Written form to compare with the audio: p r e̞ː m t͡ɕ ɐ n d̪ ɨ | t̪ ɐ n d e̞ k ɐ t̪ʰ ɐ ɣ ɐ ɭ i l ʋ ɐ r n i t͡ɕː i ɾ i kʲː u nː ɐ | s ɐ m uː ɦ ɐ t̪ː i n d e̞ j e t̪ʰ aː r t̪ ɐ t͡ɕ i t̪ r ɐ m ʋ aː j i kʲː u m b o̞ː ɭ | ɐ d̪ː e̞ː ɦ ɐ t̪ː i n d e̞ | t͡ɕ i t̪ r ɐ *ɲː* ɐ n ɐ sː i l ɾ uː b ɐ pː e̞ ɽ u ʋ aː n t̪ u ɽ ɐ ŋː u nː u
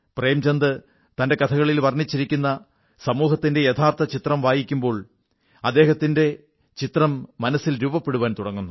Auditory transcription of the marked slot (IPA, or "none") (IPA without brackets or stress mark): mː